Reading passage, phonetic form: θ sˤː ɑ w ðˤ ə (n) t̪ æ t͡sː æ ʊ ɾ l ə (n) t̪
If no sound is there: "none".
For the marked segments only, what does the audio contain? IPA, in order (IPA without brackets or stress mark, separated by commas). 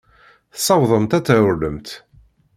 m, m